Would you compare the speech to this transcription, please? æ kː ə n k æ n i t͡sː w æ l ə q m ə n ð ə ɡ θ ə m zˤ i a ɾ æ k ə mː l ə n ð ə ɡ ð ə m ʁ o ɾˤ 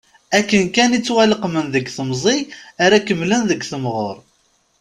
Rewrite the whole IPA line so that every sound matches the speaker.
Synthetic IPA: æ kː ə n k æ n i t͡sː w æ l ə q m ə n ð ə ɡ θ ə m zˤ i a ɾ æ k ə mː l ə n ð ə ɡ θ ə m ʁ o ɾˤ

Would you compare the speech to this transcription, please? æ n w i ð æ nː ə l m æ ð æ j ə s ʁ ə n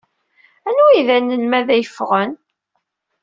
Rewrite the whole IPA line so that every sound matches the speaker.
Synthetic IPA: æ n u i ð æ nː ə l m æ ð æ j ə f ʁ ə n

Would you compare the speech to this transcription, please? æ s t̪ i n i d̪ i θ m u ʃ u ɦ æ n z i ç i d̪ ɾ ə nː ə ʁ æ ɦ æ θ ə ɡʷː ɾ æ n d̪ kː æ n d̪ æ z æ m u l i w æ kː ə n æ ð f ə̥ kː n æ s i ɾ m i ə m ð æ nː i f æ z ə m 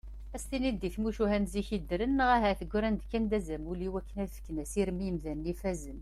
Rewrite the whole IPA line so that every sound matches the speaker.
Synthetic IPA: æ s t̪ i n i d̪ i θ m u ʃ u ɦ æ n z i ç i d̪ ɾ ə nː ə ʁ æ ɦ æ θ ə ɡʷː ɾ æ n d̪ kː æ n d̪ æ z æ m u l i w æ kː ə n æ ð f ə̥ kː n æ s i ɾ m i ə m ð æ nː i f æ z ə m

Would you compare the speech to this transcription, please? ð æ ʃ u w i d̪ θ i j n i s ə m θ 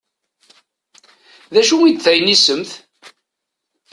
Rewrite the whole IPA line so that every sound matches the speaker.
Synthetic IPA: ð æ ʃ u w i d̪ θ æ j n i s ə m θ

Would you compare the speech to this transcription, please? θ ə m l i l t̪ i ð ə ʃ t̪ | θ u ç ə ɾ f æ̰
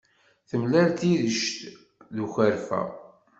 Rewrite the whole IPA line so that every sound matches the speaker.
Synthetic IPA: θ ə m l æ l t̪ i ð ə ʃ t̪ | ð u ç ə ɾ f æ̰

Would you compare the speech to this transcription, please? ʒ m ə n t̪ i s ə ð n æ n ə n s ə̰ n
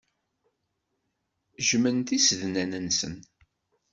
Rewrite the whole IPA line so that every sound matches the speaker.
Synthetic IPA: ʒ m ə n t̪ i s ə ð n æ n ə n s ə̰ n

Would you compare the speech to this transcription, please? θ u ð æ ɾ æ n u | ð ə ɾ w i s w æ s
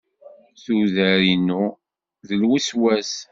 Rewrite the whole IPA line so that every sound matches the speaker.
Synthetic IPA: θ u ð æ ɾ i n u | ð ə l w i s w æ s

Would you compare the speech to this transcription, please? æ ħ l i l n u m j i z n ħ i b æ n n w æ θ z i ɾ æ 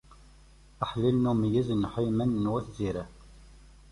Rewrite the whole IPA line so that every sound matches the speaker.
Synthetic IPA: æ ħ l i l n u m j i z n ħ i m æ n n w æ θ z i ɾ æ

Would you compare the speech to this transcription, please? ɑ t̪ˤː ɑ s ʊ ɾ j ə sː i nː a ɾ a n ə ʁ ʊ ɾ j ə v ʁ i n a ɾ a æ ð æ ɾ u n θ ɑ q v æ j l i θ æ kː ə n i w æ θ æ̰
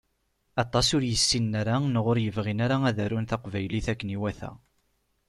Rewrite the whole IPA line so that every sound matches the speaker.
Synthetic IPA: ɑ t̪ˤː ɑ s ʊ ɾ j ə sː i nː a ɾ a n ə ʁ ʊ ɾ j ə v ʁ i n a ɾ a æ ð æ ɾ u n θ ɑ q v æ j l i θ æ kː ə n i w æ θ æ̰

